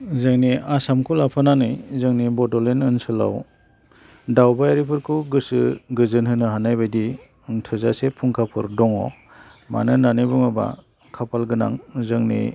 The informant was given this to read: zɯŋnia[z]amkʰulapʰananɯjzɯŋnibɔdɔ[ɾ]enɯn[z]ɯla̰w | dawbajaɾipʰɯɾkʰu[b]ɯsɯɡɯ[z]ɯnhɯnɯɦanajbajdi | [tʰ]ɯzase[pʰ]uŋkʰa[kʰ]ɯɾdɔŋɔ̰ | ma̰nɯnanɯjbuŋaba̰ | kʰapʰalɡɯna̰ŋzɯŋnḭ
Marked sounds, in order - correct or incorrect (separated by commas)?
incorrect, incorrect, incorrect, incorrect, correct, correct, correct, incorrect